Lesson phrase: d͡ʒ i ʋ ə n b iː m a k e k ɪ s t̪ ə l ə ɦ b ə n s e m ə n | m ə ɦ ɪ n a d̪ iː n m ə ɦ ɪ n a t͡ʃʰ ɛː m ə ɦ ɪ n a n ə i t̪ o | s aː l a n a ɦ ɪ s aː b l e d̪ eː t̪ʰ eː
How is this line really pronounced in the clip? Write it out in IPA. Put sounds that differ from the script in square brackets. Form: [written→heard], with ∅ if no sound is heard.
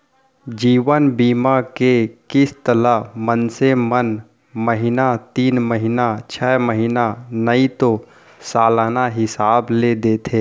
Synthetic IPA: d͡ʒ [i→iː] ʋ ə n b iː m a k e k ɪ s t̪ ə l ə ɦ [b→m] ə n s e m ə n | m ə ɦ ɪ n a [d̪→t̪] iː n m ə ɦ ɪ n a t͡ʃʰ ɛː m ə ɦ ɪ n a n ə i t̪ o | s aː l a n a ɦ ɪ s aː b l e d̪ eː t̪ʰ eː